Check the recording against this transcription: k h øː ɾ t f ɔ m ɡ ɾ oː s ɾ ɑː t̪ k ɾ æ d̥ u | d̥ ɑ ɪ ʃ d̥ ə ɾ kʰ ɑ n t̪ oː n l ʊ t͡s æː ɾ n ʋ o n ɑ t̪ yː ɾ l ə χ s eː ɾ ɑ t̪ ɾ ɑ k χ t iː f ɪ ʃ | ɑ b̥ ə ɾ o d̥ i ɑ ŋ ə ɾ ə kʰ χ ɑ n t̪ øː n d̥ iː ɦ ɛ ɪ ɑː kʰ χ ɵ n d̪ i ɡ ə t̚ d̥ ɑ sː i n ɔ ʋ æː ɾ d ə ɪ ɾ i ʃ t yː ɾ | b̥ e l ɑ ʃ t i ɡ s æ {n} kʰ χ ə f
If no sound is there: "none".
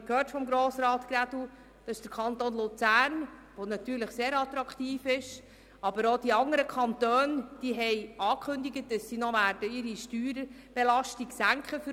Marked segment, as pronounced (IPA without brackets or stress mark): ŋ